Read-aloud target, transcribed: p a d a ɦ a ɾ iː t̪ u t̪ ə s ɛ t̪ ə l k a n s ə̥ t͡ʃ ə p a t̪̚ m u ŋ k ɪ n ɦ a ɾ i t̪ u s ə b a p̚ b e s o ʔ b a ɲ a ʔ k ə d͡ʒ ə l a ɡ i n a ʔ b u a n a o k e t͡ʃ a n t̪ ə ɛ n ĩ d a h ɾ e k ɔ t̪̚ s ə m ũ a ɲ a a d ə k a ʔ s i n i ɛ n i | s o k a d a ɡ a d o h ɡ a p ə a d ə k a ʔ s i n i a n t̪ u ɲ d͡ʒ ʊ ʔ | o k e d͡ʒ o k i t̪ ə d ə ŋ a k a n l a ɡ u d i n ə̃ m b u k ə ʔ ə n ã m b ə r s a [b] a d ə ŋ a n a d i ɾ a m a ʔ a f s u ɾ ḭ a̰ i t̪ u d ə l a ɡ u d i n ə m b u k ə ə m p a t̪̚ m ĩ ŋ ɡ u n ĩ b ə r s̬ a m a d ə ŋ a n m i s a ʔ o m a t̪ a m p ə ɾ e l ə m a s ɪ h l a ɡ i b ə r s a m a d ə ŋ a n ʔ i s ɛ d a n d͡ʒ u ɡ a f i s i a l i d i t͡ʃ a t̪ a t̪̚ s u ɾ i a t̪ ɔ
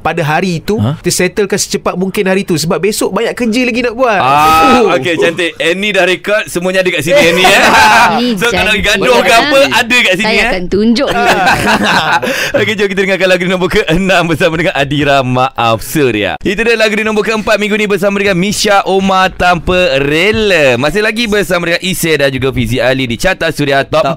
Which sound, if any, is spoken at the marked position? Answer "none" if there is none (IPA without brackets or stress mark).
m